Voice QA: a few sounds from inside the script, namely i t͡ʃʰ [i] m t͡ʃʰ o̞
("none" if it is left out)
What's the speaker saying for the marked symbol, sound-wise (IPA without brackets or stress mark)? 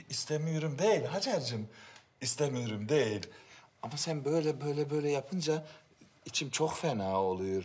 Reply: i